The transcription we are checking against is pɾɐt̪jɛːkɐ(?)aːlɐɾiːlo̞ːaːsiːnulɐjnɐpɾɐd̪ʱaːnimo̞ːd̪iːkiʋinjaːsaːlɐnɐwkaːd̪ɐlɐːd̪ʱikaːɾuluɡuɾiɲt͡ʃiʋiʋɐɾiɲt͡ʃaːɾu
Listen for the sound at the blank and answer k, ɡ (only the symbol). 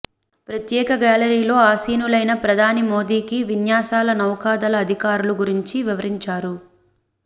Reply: ɡ